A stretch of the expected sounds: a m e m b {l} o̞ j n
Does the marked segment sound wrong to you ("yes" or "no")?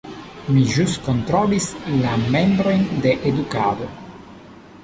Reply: yes